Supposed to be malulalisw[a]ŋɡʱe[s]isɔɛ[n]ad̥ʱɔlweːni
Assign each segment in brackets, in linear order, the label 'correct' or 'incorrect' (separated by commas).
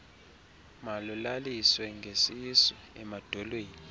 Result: incorrect, correct, incorrect